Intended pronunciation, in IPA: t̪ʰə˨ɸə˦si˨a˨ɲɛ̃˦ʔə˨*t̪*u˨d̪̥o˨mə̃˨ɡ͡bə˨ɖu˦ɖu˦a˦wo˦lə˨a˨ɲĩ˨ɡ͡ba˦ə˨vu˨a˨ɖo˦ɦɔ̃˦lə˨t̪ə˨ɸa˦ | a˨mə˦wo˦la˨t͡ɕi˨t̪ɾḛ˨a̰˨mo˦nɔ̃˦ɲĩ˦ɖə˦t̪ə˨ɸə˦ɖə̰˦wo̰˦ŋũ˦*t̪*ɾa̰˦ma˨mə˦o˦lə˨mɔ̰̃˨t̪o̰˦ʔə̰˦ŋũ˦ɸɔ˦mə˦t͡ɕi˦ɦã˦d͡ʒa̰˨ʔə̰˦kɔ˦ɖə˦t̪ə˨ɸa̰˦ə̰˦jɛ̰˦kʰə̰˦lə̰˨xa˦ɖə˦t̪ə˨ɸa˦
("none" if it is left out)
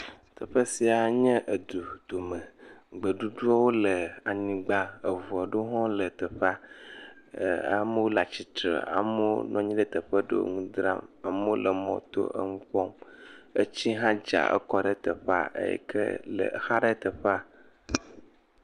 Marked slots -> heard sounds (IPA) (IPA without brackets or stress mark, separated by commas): d̪, d̪